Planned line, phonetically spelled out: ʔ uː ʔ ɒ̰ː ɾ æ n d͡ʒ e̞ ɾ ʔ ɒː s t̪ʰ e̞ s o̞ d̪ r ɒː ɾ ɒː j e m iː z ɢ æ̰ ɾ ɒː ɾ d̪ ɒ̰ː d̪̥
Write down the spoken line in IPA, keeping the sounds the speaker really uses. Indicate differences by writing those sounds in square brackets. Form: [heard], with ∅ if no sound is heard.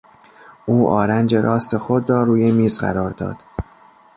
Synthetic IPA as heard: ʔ uː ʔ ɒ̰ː ɾ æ n d͡ʒ e̞ ɾ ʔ ɒː s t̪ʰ e̞ [x] o̞ d̪ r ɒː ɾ [uː] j e m iː z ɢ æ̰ ɾ ɒː ɾ d̪ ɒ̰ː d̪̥